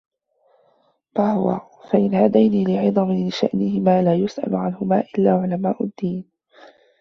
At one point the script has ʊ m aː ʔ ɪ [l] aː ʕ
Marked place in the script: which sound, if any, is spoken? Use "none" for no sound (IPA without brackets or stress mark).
lː